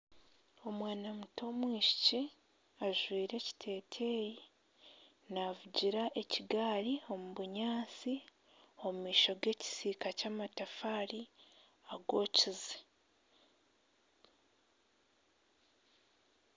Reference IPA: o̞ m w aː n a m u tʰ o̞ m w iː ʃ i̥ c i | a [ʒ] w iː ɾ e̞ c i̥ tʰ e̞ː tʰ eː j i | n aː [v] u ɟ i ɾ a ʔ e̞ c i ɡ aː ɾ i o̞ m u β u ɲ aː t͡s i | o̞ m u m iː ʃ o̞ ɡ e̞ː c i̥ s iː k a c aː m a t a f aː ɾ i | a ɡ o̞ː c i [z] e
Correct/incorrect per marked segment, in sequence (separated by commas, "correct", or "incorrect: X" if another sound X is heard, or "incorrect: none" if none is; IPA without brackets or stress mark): correct, correct, correct